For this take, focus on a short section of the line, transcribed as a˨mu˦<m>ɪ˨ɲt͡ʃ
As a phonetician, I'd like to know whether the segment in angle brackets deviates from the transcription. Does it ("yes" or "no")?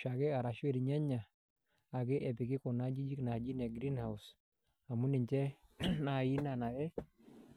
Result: yes